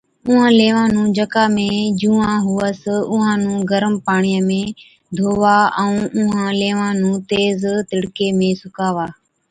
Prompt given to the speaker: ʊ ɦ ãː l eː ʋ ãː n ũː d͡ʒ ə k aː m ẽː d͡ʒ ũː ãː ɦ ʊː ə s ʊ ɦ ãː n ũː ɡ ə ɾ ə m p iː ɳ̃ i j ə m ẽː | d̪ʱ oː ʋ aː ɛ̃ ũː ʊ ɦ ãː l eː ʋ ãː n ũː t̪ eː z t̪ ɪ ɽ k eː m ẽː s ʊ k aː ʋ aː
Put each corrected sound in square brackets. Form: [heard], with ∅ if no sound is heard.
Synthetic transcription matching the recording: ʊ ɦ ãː l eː ʋ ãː n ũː d͡ʒ ə k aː m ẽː d͡ʒ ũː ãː ɦ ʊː ə s ʊ ɦ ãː n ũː ɡ ə ɾ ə m p [aː] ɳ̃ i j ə m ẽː | d̪ʱ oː ʋ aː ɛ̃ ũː ʊ ɦ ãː l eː ʋ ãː n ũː t̪ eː z t̪ ɪ ɽ k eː m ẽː s ʊ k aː ʋ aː